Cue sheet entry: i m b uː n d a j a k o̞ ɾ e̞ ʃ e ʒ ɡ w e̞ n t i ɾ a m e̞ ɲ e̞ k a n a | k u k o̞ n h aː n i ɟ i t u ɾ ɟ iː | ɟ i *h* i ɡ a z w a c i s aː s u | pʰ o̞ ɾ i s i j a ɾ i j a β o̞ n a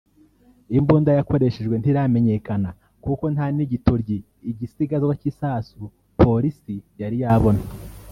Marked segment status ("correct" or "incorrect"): incorrect